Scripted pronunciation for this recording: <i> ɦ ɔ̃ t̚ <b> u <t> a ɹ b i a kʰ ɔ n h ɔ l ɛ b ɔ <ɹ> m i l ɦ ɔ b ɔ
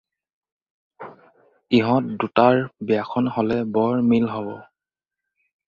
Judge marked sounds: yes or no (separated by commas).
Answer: yes, no, yes, yes